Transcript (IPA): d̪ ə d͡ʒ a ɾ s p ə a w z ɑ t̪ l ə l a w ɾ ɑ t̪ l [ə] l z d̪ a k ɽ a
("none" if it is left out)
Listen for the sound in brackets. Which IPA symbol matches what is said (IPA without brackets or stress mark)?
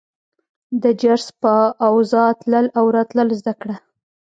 ə